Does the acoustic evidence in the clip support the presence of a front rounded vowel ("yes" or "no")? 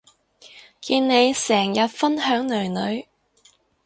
yes